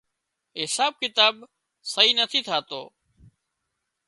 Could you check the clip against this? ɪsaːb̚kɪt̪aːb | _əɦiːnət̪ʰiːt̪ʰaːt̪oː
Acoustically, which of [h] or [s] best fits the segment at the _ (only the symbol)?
s